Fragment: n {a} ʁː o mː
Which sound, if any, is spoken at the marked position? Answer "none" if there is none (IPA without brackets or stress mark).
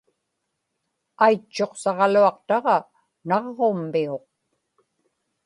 ɑ